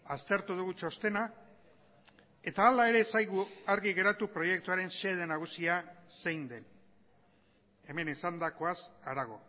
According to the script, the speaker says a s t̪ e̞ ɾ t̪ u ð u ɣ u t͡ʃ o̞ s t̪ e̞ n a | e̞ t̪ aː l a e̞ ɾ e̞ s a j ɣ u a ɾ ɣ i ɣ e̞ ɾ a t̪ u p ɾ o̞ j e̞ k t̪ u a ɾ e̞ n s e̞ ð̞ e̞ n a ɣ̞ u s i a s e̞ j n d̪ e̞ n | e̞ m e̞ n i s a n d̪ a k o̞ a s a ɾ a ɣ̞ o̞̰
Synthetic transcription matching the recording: a s t̪ e̞ ɾ t̪ u ð u ɣ u t͡ʃ o̞ s t̪ e̞ n a | e̞ t̪ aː l a e̞ ɾ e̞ s a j ɣ u a ɾ ɣ i ɣ e̞ ɾ a t̪ u p ɾ o̞ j e̞ k t̪ u a ɾ e̞ n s e̞ ð̞ e̞ n a ɣ̞ u s i a s e̞ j n d̪ e̞ n | e̞ m e̞ n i s a n d̪ a k o̞ a s a ɾ a ɣ̞ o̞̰

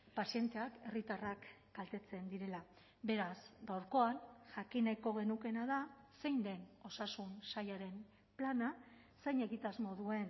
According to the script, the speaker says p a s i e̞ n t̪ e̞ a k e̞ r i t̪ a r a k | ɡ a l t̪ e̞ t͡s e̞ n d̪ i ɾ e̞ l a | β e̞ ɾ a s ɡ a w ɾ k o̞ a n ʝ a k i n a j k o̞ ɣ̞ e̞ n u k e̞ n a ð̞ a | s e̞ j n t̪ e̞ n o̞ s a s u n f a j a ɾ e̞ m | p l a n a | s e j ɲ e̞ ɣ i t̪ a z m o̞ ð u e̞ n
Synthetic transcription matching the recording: p a s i e̞ n t̪ e̞ a k e̞ r i t̪ a r a k | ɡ a l t̪ e̞ t͡s e̞ n d̪ i ɾ e̞ l a | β e̞ ɾ a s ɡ a w ɾ k o̞ a n ʝ a k i n a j k o̞ ɣ̞ e̞ n u k e̞ n a ð̞ a | s e̞ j n d̪ e̞ n o̞ s a s u n s a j a ɾ e̞ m | p l a n a | s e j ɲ e̞ ɣ i t̪ a z m o̞ ð u e̞ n

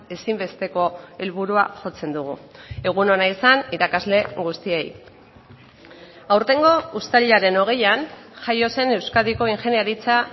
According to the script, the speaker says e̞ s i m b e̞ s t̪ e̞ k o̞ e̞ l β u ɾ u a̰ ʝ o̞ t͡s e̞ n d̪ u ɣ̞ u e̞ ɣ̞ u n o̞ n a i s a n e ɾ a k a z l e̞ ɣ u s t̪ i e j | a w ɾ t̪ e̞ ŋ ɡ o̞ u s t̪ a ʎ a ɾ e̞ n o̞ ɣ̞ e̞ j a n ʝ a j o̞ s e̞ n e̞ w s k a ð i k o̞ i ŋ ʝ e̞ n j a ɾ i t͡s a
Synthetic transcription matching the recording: e̞ s i m b e̞ s t̪ e̞ k o̞ e̞ l β u ɾ u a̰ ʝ o̞ t͡s e̞ n d̪ u ɣ̞ u e̞ ɣ̞ u n o̞ n a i s a n i ɾ a k a z l e̞ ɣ u s t̪ i e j | a w ɾ t̪ e̞ ŋ ɡ o̞ u s t̪ a ʎ a ɾ e̞ n o̞ ɣ̞ e̞ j a n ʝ a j o̞ s e̞ n e̞ w s k a ð i k o̞ i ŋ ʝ e̞ n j a ɾ i t͡s a

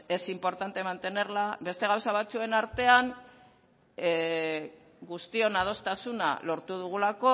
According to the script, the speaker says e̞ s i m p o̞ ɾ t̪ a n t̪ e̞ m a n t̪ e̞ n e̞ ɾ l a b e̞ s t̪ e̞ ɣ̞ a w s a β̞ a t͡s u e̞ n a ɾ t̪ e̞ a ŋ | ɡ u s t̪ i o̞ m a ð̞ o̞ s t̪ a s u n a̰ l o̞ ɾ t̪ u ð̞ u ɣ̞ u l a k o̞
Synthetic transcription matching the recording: e̞ s i m p o̞ ɾ t̪ a n t̪ e̞ m a n t̪ e̞ n e̞ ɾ l a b e̞ s t̪ e̞ ɣ̞ a w s a β̞ a t͡s u e̞ n a ɾ t̪ e̞ a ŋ | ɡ u s t̪ i o̞ n a ð̞ o̞ s t̪ a s u n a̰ l o̞ ɾ t̪ u ð̞ u ɣ̞ u l a k o̞

